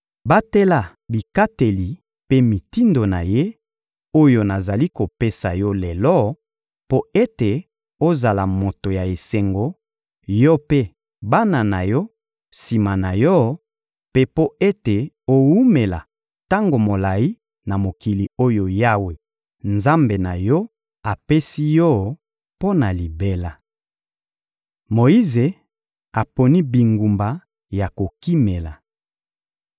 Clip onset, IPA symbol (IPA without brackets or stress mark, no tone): b